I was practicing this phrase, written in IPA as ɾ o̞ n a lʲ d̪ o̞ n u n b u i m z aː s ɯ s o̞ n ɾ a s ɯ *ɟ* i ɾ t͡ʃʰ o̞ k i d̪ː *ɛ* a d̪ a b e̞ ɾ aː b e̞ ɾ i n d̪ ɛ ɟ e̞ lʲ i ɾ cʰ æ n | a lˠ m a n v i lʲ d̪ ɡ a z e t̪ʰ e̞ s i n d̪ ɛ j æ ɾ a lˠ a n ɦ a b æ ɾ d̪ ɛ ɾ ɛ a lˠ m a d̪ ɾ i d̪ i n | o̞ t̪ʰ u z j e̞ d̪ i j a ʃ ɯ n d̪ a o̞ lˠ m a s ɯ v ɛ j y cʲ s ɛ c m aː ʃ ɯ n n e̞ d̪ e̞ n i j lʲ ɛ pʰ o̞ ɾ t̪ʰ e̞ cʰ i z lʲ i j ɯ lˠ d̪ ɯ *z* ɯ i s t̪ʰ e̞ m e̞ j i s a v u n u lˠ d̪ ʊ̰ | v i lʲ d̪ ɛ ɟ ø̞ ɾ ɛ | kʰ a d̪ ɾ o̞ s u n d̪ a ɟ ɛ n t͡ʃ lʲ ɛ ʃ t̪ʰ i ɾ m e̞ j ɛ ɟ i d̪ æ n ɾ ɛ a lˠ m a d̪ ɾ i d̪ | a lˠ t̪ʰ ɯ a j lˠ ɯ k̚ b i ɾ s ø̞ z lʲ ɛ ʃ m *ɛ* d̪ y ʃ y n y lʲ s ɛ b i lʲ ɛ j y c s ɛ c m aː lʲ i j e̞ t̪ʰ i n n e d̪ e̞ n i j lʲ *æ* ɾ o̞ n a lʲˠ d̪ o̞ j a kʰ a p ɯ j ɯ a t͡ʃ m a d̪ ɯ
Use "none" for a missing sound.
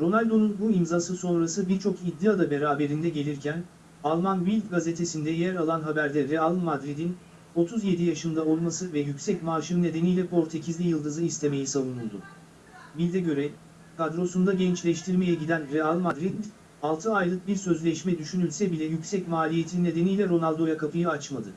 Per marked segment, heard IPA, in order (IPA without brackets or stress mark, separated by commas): b, i, z, ɛ, ɛ